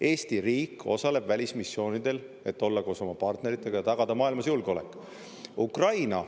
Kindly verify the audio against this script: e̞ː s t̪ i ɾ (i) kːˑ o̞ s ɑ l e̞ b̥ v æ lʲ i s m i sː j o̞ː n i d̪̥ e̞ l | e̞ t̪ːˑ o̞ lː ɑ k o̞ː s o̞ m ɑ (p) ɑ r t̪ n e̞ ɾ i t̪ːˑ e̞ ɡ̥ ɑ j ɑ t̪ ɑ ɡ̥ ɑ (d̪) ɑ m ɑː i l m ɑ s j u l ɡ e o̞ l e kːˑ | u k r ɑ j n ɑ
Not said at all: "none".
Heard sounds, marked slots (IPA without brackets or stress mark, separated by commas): iː, p, d̪